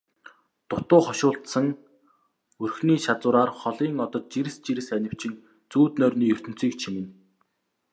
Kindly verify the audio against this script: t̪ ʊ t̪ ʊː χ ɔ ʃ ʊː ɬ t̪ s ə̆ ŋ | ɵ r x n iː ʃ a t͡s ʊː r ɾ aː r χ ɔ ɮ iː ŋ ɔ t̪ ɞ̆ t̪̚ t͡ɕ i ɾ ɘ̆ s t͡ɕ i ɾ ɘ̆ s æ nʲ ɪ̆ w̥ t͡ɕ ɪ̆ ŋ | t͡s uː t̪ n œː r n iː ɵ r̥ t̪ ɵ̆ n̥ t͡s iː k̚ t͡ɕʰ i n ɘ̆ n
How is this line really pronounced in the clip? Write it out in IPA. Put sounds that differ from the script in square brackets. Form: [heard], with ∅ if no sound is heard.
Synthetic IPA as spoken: t̪ ʊ t̪ ʊː χ ɔ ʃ ʊː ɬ t̪ s ə̆ ŋ | ɵ r x n iː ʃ a t͡s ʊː [∅] ɾ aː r χ ɔ ɮ iː ŋ ɔ t̪ ɞ̆ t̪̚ t͡ɕ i ɾ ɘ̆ s t͡ɕ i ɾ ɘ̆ s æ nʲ ɪ̆ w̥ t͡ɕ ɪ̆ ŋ | t͡s uː t̪ n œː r n iː ɵ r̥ t̪ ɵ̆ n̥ t͡s iː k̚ t͡ɕʰ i [m] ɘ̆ n